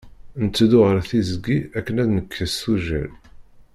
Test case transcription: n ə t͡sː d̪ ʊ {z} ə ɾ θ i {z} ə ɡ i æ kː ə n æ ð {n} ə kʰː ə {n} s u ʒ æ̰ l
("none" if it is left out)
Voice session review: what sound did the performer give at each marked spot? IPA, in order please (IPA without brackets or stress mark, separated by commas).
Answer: ʁ, z, n, none